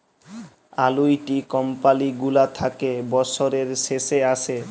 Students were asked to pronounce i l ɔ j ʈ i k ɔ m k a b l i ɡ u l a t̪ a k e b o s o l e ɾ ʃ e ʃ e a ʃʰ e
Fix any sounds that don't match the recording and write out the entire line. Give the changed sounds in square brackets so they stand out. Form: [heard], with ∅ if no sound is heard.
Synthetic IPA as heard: [a] l [u] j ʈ i k ɔ m [p] a [∅] l i ɡ u l a [t̪ʰ] a k e b [ɔ] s o [ɾ] e ɾ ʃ e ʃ e a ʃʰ e